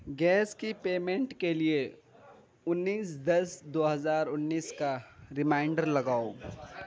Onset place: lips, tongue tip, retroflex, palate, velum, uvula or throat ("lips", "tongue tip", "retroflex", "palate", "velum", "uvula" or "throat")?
velum